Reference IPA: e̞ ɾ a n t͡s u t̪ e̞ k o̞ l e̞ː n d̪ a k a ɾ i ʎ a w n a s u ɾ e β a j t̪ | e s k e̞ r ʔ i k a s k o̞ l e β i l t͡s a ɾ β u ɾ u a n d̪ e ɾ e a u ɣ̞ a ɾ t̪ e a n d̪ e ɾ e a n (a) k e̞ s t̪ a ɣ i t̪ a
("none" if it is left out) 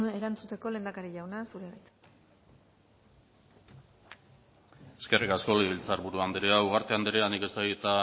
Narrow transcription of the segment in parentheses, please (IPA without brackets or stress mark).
i